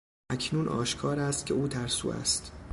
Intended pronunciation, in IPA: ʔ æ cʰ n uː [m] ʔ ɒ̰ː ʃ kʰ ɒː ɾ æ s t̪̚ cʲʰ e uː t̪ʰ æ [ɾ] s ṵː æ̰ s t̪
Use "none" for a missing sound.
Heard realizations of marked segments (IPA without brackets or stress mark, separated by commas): n, ɾ